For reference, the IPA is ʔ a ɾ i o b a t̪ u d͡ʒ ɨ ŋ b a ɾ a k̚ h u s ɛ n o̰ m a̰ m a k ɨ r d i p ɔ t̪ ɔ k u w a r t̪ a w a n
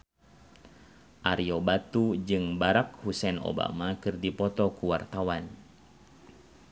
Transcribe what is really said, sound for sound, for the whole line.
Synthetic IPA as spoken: ʔ a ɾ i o b a t̪ u d͡ʒ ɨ ŋ b a ɾ a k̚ h u s ɛ n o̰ b a̰ m a k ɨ r d i p ɔ t̪ ɔ k u w a r t̪ a w a n